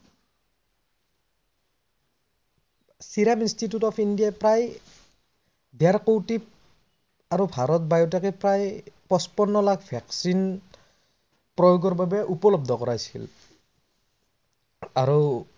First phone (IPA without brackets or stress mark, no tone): s